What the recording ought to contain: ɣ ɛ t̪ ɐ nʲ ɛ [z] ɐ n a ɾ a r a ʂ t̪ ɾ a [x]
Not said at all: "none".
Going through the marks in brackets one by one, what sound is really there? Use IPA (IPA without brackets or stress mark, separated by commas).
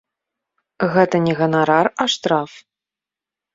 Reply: ɣ, f